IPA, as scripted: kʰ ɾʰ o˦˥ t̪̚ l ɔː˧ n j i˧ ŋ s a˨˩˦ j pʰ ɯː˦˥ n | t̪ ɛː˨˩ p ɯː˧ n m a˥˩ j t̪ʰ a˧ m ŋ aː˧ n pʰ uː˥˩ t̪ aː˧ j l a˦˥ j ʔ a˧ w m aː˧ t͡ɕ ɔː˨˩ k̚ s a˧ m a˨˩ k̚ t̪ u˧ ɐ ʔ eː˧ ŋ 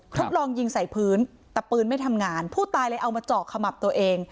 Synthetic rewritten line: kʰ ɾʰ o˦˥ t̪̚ l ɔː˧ ŋ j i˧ ŋ s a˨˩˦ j pʰ ɯː˦˥ n | t̪ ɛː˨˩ p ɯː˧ n m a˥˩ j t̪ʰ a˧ m ŋ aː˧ n pʰ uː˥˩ t̪ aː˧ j l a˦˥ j ʔ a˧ w m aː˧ t͡ɕ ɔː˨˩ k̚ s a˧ m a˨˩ p̚ t̪ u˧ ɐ ʔ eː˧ ŋ